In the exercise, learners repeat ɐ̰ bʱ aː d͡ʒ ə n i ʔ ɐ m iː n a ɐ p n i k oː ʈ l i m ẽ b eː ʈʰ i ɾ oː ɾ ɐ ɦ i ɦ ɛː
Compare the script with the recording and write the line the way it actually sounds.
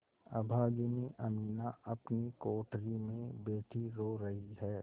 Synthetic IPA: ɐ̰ bʱ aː d͡ʒ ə n i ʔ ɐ m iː n a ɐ p n i k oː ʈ ɾ i m ẽ b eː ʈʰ i ɾ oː ɾ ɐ ɦ i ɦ ɛː